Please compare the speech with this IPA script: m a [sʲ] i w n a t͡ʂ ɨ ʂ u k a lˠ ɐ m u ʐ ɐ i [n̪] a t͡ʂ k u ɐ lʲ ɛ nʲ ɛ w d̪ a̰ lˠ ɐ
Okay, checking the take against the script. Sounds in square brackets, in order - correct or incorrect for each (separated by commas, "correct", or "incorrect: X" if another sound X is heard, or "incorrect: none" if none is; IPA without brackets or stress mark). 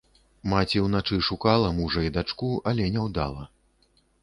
incorrect: t͡sʲ, incorrect: d̪